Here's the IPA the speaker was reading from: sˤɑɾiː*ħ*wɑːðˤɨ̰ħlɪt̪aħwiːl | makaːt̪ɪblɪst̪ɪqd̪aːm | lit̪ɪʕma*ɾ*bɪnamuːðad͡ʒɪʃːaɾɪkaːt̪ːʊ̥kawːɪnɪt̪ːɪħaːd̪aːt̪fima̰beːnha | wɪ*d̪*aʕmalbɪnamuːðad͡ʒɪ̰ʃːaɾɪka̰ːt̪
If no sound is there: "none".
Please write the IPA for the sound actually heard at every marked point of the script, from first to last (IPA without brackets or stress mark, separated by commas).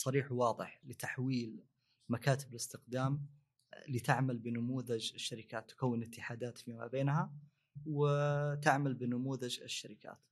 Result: ħ, l, t̪